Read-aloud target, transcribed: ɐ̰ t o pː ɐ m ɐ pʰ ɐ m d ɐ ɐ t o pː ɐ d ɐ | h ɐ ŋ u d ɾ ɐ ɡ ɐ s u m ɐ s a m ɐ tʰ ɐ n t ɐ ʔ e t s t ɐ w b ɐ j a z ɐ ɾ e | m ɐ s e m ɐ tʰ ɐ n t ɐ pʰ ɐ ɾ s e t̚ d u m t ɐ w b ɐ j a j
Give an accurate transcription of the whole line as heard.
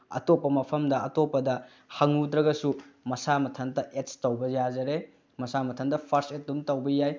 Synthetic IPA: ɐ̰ t o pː ɐ m ɐ pʰ ɐ m d ɐ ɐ t o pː ɐ d ɐ | h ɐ ŋ u d ɾ ɐ ɡ ɐ s u m ɐ s a m ɐ tʰ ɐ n t ɐ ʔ e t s t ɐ w b ɐ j a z ɐ ɾ e | m ɐ s a m ɐ tʰ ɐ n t ɐ pʰ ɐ ɾ s e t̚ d u m t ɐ w b ɐ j a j

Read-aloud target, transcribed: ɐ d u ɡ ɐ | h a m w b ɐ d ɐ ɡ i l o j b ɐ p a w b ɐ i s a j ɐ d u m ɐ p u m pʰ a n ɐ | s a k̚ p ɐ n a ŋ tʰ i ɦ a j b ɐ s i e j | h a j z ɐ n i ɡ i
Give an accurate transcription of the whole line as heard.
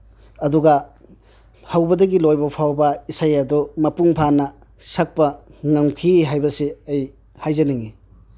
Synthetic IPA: ɐ d u ɡ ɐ | h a w b ɐ d ɐ ɡ i l o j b ɐ pʰ a w b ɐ i s a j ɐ d u m ɐ p u ŋ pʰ a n ɐ | s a k̚ p ɐ ŋ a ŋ kʰ i ɦ a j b ɐ s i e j | h a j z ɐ n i ŋ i

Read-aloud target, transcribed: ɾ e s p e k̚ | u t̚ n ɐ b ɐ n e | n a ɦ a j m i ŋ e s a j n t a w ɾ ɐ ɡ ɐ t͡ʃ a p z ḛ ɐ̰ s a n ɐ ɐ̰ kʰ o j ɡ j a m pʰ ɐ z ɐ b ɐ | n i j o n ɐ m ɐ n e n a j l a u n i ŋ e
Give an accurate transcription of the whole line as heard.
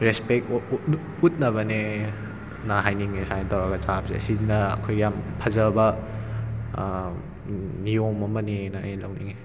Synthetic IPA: ɾ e s p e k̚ | u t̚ n ɐ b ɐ n e | n a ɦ a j n i ŋ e s a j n t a w ɾ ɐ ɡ ɐ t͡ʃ a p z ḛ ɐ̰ s i n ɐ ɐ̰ kʰ o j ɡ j a m pʰ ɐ z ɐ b ɐ | n i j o m ɐ m ɐ n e n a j l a w n i ŋ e

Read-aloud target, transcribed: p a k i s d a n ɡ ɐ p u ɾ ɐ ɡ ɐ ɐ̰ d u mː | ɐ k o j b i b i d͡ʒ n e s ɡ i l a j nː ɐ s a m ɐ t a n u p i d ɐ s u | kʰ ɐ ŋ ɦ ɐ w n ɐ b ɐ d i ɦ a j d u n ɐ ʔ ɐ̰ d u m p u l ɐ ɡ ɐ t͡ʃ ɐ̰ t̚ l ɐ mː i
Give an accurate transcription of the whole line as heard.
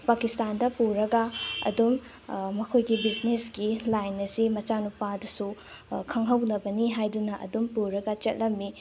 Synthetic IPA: p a k i s t a n d ɐ p u ɾ ɐ ɡ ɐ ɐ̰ d u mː | ɐ kʰ o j ɡ i b i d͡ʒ n e s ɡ i l a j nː ɐ s i m ɐ t͡ʃ a n u p a d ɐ s u | kʰ ɐ ŋ ɦ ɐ w n ɐ b ɐ n i ɦ a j d u n ɐ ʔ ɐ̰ d u m p u ɾ ɐ ɡ ɐ t͡ʃ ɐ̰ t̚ l ɐ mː i

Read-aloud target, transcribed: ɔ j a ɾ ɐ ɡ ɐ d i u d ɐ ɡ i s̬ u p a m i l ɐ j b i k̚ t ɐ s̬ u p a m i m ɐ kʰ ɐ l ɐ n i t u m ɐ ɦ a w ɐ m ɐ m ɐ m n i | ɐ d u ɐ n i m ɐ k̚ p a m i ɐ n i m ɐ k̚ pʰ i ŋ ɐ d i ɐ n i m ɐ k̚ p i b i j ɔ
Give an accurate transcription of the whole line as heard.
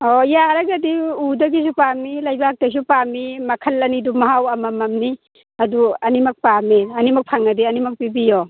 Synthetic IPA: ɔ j a ɾ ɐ ɡ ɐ d i u d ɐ ɡ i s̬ u p a m i l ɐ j b a k̚ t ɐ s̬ u p a m i m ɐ kʰ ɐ l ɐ n i d u m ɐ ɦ a w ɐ m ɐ m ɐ m n i | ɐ d u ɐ n i m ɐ k̚ p a m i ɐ n i m ɐ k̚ pʰ a ŋ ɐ d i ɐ n i m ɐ k̚ p i b i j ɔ

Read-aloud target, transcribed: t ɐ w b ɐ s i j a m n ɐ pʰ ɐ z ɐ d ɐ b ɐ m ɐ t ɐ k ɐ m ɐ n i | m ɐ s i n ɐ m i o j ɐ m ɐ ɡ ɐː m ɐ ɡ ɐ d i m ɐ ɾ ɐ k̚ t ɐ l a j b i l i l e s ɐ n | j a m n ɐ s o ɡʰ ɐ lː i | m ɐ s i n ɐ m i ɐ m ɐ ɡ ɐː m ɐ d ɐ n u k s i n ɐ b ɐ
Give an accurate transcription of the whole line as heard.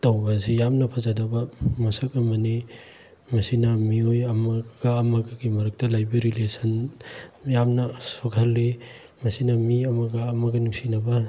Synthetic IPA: t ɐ w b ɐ s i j a m n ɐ pʰ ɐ z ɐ d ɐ b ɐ m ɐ s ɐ k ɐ m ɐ n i | m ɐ s i n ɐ m i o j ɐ m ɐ ɡ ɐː m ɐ ɡ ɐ ɡ i m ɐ ɾ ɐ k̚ t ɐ l a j b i ɾ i l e s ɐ n | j a m n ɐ s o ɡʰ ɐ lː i | m ɐ s i n ɐ m i ɐ m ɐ ɡ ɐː m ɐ ɡ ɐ n u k s i n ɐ b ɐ

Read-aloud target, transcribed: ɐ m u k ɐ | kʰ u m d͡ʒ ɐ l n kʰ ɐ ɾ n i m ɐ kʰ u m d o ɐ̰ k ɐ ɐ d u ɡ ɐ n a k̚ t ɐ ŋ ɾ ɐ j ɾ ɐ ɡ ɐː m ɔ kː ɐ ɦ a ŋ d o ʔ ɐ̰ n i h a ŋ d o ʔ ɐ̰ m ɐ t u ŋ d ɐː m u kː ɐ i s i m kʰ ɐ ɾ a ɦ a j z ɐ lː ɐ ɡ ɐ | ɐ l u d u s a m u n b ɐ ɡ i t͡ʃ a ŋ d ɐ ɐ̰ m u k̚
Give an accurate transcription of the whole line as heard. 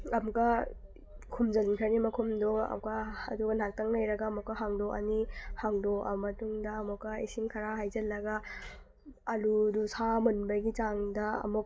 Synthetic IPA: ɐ m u k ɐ | kʰ u m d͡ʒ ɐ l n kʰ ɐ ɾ n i m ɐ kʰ u m d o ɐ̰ k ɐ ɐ d u ɡ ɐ n a k̚ t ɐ ŋ l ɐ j ɾ ɐ ɡ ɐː m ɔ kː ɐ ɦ a ŋ d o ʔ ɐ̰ n i h a ŋ d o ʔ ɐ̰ m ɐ t u ŋ d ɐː m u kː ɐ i s i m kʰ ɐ ɾ a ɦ a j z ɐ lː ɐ ɡ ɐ | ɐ l u d u s a m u n b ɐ ɡ i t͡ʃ a ŋ d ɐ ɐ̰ m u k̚

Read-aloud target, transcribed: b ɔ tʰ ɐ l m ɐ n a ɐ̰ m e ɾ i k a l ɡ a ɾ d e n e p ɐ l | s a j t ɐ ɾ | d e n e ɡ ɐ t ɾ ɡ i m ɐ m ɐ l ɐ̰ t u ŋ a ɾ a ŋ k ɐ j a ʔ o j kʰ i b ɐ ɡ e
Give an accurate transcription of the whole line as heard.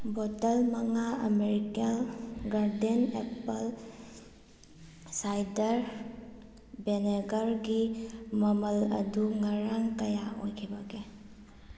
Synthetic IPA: b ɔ t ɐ l m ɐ ŋ a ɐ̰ m e ɾ i k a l ɡ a ɾ d e n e p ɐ l | s a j d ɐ ɾ | b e n e ɡ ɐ ɾ ɡ i m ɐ m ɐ l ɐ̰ d u ŋ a ɾ a ŋ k ɐ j a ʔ o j kʰ i b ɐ ɡ e

